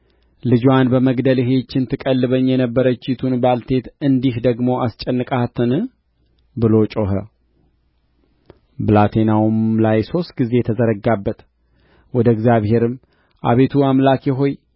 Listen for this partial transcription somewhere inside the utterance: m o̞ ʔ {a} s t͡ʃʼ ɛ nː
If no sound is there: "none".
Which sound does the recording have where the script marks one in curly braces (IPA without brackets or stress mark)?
a